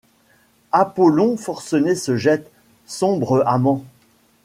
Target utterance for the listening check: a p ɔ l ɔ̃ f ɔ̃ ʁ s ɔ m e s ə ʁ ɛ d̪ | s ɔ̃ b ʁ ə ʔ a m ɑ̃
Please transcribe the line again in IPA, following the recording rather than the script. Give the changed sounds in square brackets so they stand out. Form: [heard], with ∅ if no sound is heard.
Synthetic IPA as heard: a p ɔ l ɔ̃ f [ɔ] ʁ s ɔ [n] e s ə [ʒ] ɛ [t̪] | s ɔ̃ b ʁ ə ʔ a m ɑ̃